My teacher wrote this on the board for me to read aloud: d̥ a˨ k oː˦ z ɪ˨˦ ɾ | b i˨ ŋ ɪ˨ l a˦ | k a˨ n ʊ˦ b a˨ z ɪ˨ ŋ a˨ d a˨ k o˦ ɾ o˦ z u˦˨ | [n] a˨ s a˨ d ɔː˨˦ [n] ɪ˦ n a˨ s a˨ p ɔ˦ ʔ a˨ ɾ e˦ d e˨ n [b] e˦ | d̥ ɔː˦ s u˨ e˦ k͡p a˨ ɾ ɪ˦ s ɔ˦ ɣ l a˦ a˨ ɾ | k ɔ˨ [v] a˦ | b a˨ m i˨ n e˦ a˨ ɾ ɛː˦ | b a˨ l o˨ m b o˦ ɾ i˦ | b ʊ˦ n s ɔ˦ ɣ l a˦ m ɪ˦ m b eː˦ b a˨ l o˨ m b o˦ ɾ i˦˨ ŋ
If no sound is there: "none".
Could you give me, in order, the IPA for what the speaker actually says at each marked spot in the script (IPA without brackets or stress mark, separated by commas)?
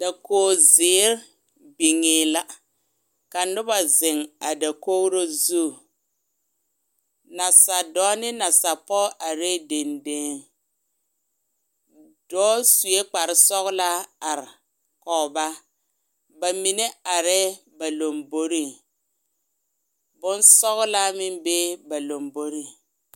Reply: n, n, d, b